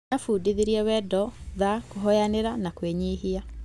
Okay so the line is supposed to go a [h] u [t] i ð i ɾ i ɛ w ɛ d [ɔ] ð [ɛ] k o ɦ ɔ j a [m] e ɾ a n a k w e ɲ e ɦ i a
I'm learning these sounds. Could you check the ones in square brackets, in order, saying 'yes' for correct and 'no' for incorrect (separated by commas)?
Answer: no, no, yes, no, no